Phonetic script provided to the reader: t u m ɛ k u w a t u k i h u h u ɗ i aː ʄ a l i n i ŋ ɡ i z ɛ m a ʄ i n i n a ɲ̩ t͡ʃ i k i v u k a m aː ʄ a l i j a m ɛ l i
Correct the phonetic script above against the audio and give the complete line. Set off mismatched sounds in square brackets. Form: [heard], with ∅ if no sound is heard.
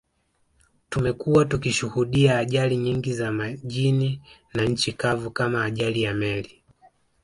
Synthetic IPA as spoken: t u m ɛ k u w a t u k i [ʃ] u h u ɗ i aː ʄ a l i [ɲ] i ŋ ɡ i z [a] m a ʄ i n i n a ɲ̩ t͡ʃ i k [a] v u k a m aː ʄ a l i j a m ɛ l i